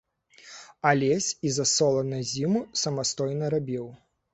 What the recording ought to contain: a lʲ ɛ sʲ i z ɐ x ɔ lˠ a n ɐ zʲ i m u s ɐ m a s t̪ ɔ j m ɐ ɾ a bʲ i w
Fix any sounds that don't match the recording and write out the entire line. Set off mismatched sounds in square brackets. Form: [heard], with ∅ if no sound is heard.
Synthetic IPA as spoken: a lʲ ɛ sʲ i z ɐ [s] ɔ lˠ [ɐ] n ɐ zʲ i m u s ɐ m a s t̪ ɔ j [n] ɐ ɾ a bʲ i w